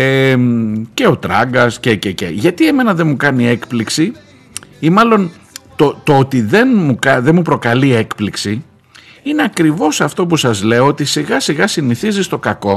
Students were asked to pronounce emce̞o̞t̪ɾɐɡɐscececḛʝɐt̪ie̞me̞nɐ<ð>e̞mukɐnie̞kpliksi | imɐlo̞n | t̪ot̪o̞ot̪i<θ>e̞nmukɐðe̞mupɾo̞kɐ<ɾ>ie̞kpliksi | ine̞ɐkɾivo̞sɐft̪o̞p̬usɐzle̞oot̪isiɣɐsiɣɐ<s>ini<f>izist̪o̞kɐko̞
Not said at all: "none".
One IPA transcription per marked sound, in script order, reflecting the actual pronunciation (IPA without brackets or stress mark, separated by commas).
ð, ð, l, s, θ